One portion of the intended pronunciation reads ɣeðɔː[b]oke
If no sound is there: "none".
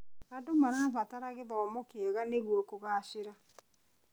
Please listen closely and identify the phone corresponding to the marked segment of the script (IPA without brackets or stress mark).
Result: m